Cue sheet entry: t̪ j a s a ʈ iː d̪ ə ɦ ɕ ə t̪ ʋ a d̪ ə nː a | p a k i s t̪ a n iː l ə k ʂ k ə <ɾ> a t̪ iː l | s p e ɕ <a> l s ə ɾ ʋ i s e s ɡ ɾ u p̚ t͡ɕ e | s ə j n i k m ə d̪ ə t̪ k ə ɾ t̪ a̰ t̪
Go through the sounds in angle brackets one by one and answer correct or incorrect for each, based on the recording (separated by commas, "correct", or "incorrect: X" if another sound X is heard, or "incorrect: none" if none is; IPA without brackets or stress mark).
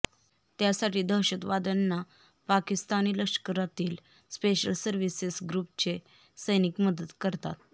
correct, incorrect: ə